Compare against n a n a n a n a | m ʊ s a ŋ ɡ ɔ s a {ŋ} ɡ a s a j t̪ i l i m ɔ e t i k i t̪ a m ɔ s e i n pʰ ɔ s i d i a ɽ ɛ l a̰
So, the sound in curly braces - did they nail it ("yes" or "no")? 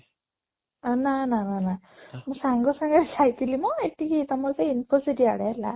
yes